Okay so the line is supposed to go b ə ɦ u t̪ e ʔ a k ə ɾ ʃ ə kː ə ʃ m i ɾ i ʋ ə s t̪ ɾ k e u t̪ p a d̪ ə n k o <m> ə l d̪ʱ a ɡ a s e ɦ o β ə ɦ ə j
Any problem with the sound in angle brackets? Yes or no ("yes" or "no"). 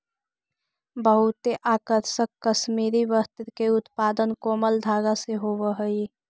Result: no